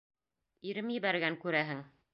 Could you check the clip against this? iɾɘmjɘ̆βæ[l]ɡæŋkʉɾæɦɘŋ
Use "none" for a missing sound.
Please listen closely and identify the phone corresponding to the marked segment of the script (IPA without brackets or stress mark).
ɾ